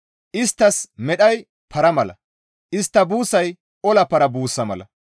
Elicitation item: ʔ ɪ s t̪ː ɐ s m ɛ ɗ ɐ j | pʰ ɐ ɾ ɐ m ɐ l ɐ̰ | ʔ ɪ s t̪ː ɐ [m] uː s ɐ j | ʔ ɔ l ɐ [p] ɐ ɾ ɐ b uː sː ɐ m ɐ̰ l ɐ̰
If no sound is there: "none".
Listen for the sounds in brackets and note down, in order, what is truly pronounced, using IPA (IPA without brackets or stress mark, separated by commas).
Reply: b, p